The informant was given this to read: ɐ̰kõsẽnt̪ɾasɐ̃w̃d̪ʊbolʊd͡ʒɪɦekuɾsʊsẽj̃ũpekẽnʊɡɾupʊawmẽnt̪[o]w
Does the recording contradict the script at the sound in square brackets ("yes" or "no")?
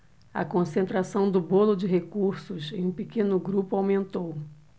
no